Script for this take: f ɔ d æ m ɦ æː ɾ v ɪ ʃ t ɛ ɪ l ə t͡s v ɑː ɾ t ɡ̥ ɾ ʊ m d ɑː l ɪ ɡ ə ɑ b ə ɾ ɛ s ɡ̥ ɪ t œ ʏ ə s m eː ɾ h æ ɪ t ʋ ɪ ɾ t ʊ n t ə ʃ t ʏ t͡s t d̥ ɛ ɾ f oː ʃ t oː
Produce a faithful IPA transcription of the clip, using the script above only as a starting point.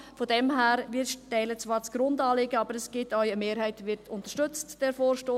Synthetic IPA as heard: f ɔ d ɛ m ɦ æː ɾ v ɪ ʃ t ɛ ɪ l ə t͡s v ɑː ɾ t͡s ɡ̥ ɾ ʊ n d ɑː l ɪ ɡ ə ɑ b ə ɾ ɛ s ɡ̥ ɪ t œ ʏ ə m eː ɾ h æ ɪ t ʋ ɪ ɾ t ʊ n t ə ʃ t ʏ t͡s t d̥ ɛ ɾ f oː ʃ t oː

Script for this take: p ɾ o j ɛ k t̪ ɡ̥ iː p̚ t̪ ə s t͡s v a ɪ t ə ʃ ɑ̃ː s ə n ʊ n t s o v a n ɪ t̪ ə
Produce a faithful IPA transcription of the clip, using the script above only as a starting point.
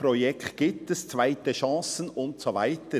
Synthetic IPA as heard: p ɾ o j ɛ k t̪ ɡ̥ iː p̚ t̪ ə s t͡s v a ɪ t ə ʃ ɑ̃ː s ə n ʊ n t s o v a ɪ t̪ ə

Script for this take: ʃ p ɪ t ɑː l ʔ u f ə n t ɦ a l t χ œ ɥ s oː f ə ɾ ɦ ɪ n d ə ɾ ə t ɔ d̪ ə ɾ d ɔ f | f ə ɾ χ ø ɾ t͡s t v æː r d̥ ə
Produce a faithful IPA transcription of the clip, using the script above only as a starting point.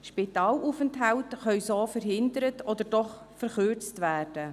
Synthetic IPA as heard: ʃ p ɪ t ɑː l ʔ u f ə n t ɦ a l t χ œ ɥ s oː f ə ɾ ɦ ɪ n d ə ɾ ə t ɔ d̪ ə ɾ d ɔ χ | f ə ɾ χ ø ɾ t͡s t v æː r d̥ ə

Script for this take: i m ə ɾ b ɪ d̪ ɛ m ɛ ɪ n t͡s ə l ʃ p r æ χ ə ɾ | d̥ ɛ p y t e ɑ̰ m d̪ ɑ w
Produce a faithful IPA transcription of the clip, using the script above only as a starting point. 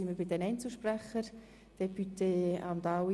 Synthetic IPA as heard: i m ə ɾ b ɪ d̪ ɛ n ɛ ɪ n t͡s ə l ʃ p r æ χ ə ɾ | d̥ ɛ p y t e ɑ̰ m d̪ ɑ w

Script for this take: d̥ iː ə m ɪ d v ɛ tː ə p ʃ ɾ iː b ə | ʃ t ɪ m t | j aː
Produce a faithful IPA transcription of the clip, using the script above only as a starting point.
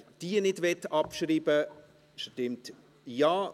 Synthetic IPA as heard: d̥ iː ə n ɪ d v ɛ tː ɑ p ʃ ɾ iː b ə | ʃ t ɪ m t | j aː

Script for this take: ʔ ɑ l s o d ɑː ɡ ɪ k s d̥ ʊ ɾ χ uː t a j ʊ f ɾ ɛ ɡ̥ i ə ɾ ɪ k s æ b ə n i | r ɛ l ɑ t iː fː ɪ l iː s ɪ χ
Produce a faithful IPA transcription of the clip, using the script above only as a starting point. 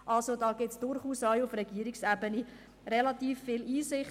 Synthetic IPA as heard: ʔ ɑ l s o d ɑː ɡ ɪ t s d̥ ʊ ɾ χ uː s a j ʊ f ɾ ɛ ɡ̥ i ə ɾ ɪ k s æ b ə n i | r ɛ l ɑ t iː fː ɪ l iː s ɪ χ

